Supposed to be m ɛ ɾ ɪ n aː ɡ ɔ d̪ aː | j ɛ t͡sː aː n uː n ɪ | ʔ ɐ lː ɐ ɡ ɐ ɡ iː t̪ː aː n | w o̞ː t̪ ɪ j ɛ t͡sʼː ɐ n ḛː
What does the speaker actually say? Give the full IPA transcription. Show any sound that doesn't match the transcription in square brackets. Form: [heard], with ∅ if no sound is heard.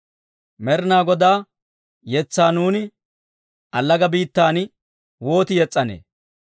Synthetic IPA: m ɛ ɾ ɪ n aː ɡ ɔ d̪ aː | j ɛ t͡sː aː n uː n ɪ | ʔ ɐ lː ɐ ɡ ɐ [b] iː t̪ː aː n | w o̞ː t̪ ɪ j ɛ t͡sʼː ɐ n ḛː